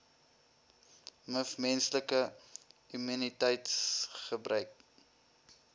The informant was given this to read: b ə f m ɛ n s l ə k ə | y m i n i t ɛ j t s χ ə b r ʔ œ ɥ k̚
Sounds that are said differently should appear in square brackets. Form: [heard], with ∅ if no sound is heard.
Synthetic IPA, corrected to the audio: [m] ə f m ɛ n s l ə k ə | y m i n i t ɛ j t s χ ə b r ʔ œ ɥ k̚